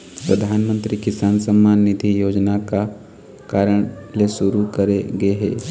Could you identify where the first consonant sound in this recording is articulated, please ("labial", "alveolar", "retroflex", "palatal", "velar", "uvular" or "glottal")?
labial